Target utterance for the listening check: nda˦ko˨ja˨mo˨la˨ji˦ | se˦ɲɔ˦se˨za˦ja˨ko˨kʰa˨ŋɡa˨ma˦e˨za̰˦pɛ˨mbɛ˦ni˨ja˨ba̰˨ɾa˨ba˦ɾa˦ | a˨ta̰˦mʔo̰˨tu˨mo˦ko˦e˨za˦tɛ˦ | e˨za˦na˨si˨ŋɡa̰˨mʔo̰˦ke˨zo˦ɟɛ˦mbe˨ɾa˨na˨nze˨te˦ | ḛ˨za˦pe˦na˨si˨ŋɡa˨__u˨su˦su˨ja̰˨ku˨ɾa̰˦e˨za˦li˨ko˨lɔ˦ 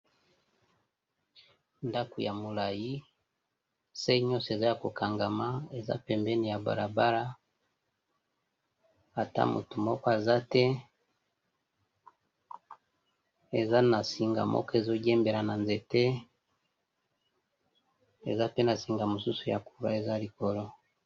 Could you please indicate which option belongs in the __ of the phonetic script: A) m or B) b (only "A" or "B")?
A